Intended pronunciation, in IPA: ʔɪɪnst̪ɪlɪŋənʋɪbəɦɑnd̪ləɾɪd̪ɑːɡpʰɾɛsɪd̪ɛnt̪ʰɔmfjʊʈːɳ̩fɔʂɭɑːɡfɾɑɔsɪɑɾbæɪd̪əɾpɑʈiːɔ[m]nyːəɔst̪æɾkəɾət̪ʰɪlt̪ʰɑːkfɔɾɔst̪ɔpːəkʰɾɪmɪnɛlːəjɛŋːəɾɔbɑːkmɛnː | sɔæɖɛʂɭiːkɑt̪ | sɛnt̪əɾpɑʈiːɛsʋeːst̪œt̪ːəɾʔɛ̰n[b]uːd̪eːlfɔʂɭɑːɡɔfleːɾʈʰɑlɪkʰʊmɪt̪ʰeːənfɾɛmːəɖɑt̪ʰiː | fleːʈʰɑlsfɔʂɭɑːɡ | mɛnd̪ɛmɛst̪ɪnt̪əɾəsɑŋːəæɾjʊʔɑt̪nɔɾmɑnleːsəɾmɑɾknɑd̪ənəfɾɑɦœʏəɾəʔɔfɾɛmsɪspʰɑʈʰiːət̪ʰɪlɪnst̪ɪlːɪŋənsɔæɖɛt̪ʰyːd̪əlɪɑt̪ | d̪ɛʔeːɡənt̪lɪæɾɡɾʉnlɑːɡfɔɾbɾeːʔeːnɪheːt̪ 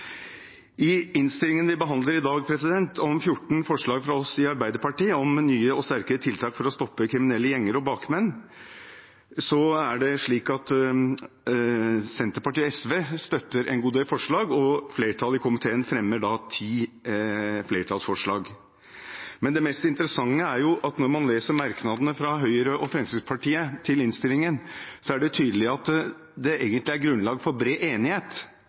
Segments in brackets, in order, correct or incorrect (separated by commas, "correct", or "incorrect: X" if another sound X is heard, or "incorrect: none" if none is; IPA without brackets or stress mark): correct, incorrect: ɡ